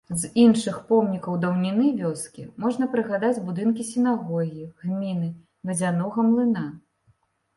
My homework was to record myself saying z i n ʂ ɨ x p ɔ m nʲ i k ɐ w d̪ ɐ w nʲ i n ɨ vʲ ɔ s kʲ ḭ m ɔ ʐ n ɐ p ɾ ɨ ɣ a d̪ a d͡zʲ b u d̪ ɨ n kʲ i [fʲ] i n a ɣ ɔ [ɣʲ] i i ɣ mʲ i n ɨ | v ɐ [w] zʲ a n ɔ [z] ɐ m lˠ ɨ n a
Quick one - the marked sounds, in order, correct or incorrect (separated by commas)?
incorrect, correct, incorrect, incorrect